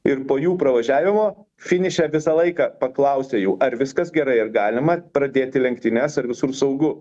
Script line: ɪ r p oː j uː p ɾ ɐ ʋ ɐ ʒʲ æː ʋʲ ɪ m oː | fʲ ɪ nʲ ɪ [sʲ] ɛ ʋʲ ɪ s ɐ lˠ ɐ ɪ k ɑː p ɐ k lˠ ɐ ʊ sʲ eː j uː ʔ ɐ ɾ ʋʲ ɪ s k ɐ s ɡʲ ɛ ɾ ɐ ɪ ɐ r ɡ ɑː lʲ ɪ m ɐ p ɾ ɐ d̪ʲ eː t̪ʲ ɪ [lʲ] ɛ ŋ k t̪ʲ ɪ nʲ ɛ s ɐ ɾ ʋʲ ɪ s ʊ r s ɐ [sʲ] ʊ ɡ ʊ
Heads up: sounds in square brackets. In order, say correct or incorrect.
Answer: incorrect: ʃʲ, correct, incorrect: none

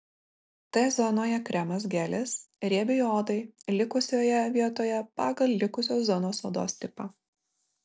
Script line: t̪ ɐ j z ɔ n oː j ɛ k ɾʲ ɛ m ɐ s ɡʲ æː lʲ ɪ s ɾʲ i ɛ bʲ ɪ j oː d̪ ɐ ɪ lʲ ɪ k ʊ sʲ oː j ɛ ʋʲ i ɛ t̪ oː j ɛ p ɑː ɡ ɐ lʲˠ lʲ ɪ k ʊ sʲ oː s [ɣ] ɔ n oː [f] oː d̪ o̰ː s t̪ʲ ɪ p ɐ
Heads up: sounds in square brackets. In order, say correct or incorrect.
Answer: incorrect: z, incorrect: s

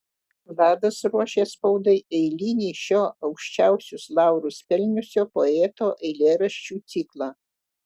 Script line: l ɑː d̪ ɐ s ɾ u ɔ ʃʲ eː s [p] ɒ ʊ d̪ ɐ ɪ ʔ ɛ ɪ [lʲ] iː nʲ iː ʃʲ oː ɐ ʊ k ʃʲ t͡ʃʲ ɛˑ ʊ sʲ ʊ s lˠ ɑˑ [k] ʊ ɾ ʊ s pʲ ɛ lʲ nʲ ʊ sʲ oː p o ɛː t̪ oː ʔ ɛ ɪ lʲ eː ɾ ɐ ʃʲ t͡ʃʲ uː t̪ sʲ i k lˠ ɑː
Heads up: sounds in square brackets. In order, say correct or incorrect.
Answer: correct, correct, incorrect: none

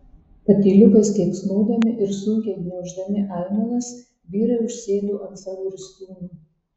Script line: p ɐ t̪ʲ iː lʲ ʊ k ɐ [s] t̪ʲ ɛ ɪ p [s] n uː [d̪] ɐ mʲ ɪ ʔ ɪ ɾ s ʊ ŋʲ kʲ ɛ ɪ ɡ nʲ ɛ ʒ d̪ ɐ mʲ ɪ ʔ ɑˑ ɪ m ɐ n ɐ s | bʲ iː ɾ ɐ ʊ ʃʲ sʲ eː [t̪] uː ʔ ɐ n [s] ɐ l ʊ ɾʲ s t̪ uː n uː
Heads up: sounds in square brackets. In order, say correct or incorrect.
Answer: correct, correct, correct, incorrect: d̪, correct

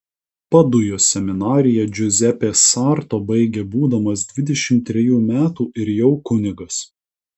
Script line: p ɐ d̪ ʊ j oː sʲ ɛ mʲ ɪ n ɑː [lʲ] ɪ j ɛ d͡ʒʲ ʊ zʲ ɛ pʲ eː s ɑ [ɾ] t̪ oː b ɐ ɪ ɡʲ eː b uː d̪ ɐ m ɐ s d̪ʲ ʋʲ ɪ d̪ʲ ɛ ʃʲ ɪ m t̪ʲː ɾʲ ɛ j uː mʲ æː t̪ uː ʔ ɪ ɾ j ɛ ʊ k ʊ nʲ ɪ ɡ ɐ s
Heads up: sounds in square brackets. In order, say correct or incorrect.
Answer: incorrect: ɾʲ, correct

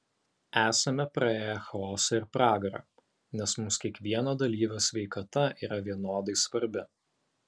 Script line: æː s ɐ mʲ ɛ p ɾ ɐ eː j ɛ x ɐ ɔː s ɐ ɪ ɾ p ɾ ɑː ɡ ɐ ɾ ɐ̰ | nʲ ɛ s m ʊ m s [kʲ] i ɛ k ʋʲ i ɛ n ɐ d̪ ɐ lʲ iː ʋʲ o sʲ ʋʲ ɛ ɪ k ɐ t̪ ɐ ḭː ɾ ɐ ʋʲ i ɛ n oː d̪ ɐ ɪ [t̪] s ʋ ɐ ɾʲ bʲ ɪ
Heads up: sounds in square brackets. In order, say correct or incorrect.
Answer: correct, incorrect: none

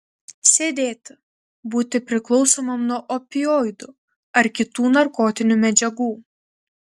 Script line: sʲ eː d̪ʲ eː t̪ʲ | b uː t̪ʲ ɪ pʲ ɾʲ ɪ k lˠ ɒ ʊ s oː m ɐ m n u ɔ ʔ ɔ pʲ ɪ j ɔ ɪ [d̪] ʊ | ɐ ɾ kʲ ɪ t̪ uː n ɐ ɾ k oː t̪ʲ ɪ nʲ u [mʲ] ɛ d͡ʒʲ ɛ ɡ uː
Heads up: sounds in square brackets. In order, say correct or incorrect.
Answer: correct, correct

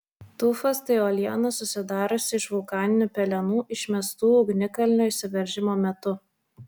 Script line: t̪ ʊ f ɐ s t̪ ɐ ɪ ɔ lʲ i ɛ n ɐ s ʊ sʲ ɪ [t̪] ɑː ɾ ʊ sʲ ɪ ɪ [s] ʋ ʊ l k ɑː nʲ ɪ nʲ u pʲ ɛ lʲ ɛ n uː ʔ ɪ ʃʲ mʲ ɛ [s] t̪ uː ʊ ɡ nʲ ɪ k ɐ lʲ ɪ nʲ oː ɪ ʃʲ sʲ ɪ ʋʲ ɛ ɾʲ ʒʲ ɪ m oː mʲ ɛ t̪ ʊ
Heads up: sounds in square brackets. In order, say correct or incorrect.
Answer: incorrect: d̪, incorrect: ʃ, correct

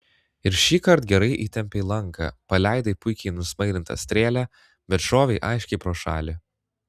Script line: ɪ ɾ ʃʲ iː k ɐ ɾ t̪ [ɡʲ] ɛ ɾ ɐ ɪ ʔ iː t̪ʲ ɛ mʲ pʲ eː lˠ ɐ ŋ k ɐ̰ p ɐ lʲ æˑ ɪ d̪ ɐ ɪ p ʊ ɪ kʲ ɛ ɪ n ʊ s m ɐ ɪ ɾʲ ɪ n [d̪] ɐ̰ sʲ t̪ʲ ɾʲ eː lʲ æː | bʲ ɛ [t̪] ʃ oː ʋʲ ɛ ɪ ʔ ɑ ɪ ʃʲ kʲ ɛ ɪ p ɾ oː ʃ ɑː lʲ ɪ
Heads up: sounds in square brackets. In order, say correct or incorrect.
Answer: correct, incorrect: t̪, correct

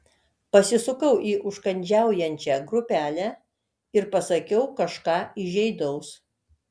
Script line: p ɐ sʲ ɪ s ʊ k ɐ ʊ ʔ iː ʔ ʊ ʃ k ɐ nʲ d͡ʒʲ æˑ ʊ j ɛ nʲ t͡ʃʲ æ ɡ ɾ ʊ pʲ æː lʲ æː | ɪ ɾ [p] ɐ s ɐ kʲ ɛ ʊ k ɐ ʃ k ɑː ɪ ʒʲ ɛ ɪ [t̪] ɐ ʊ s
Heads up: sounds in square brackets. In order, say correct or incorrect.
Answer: correct, incorrect: d̪

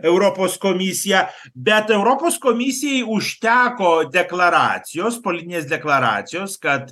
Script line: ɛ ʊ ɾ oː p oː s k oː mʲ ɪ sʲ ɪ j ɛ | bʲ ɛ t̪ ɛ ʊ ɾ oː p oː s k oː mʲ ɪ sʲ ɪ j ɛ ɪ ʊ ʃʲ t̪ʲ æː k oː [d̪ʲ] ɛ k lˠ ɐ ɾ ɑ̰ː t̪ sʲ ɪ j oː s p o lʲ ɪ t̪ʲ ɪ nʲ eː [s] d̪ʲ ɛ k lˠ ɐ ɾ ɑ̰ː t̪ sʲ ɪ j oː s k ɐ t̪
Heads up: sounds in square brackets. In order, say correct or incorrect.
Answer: correct, correct

